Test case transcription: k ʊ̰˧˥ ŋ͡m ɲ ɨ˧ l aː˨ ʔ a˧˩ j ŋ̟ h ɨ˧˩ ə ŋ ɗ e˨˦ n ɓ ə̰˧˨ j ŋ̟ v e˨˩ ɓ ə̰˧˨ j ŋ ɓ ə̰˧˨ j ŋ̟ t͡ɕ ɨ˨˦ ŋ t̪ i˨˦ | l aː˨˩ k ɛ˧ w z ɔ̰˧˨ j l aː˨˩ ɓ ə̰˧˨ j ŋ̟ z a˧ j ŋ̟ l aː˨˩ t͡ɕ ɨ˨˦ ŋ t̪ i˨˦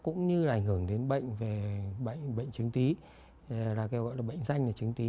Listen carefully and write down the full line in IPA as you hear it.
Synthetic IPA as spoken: k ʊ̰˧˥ ŋ͡m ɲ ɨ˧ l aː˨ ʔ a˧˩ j ŋ̟ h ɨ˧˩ ə ŋ ɗ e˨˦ n ɓ ə̰˧˨ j ŋ̟ v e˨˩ ɓ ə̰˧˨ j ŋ ɓ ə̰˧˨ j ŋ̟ t͡ɕ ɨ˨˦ ŋ t̪ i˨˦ | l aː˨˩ k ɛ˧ w ɣ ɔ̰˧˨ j l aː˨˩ ɓ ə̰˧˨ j ŋ̟ z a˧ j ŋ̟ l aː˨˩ t͡ɕ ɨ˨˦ ŋ t̪ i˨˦

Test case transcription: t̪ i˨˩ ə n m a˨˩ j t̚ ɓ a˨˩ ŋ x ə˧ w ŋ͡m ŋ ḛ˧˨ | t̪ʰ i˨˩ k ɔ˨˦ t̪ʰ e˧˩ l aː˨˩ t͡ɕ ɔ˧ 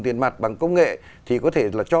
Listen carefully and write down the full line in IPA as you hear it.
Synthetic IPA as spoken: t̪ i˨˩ ə n m a˨˩ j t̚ ɓ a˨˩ ŋ k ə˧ w ŋ͡m ŋ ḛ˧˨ | t̪ʰ i˨˩ k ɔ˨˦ t̪ʰ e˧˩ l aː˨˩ t͡ɕ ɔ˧

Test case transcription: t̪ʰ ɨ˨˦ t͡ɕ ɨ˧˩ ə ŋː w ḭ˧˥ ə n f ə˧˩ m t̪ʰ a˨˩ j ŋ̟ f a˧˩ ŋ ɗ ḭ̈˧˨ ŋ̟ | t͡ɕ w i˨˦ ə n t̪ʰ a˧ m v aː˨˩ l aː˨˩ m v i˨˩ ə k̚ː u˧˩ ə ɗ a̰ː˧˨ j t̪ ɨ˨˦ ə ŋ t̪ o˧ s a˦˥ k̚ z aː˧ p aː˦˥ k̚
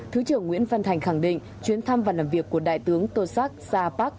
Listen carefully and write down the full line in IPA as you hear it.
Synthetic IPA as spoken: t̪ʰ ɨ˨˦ t͡ɕ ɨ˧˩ ə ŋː w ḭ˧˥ ə n f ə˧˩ n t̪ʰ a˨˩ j ŋ̟ x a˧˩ ŋ ɗ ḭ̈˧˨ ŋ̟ | t͡ɕ w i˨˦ ə n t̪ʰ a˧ m v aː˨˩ l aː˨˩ m v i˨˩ ə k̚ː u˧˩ ə ɗ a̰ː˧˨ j t̪ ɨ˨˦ ə ŋ t̪ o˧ s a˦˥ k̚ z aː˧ p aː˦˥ k̚

